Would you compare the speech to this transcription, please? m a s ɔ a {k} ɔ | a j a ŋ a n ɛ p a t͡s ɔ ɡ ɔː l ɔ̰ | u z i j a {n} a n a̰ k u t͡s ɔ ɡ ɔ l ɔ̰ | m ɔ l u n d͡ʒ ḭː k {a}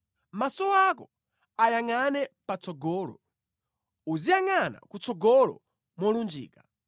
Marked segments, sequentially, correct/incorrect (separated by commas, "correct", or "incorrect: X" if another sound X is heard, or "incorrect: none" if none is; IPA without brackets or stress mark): correct, incorrect: ŋ, correct